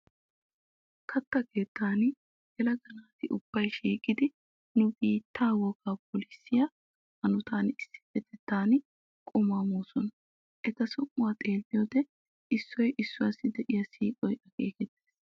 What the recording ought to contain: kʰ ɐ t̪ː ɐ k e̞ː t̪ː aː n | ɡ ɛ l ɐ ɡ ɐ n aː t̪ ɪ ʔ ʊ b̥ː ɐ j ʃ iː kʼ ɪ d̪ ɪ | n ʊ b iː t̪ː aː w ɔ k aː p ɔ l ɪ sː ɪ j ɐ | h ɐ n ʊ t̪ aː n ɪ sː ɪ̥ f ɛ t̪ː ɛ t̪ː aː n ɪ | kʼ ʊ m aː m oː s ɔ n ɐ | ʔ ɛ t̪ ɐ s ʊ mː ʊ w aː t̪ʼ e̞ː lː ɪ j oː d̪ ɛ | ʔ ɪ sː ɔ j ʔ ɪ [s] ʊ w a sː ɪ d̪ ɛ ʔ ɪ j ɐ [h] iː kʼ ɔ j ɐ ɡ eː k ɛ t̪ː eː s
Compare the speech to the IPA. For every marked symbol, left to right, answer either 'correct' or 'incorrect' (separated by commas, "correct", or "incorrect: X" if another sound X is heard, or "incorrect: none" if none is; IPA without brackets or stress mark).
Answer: incorrect: sː, incorrect: s